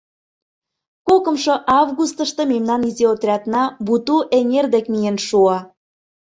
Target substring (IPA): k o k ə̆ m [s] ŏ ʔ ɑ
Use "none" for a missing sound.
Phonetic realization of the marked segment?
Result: ʃ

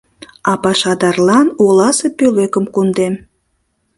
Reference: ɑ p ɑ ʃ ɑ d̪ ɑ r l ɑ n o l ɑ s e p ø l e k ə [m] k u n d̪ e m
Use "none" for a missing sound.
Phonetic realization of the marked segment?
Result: m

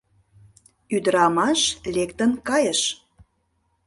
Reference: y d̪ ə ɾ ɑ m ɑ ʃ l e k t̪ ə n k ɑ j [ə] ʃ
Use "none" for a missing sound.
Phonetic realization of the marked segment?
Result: ə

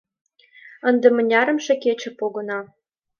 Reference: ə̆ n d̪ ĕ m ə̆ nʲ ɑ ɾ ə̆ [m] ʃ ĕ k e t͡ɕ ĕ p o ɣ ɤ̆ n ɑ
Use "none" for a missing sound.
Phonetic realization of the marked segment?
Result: m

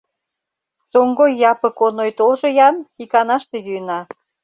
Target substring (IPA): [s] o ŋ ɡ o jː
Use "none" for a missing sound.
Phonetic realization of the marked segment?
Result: s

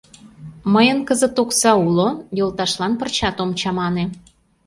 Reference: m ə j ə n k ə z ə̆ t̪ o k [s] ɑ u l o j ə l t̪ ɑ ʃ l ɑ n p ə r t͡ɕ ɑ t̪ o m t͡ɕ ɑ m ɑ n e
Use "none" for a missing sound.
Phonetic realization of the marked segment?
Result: s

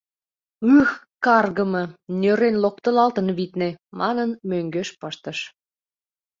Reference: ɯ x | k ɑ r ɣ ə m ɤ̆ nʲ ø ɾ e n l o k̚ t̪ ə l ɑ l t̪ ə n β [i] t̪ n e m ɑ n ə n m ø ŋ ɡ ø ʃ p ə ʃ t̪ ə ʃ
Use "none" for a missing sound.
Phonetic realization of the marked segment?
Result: i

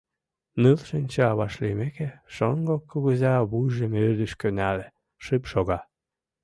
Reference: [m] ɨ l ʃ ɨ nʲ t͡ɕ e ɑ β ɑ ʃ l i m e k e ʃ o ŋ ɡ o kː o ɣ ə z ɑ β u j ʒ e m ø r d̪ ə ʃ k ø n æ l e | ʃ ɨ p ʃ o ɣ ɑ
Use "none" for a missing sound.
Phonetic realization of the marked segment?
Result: n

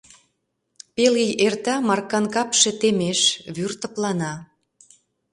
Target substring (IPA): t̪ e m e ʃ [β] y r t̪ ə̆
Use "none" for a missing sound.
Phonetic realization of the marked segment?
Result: β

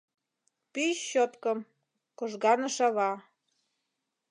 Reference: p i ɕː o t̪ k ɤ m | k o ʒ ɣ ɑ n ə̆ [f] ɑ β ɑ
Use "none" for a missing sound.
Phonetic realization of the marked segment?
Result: ʃ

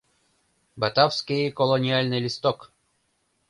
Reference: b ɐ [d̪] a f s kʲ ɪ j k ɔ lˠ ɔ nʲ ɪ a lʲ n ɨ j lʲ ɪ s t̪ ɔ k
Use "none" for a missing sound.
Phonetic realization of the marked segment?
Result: t̪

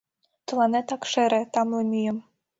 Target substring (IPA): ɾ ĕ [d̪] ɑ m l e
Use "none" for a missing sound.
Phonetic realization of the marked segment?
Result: t̪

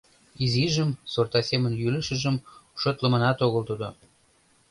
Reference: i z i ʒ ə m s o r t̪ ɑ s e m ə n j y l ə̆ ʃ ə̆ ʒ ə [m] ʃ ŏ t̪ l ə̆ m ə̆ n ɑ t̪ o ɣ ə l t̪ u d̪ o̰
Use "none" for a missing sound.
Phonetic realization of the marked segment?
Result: m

